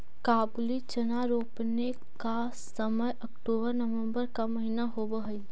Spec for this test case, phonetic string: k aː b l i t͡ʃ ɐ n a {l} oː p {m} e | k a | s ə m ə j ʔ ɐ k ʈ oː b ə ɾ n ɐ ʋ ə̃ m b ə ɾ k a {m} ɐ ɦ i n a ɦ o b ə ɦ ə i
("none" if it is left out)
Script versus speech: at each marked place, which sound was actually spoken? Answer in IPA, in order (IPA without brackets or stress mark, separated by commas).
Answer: ɾ, n, m